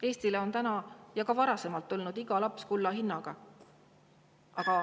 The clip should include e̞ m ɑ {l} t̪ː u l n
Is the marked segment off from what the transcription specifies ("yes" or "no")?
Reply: no